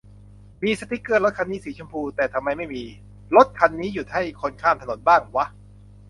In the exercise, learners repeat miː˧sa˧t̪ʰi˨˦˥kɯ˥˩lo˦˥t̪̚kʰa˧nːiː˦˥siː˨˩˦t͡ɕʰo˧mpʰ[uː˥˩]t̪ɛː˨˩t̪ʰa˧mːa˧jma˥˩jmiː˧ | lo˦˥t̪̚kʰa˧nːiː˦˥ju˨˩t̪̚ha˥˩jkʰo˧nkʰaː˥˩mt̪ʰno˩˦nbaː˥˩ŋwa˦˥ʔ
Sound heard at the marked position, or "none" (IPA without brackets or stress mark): uː˧